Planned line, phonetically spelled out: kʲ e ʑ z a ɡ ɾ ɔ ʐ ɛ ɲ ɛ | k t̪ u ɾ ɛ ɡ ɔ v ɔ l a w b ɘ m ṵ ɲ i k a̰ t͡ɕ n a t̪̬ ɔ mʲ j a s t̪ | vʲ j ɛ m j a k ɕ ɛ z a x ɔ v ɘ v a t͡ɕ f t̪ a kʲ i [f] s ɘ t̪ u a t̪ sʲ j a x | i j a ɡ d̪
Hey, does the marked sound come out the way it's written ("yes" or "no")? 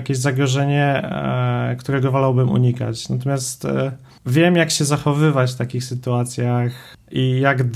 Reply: no